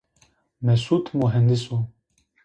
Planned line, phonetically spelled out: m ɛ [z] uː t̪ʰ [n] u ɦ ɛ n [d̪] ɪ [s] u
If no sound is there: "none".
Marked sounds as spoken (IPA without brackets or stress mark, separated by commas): s, m, d̪, s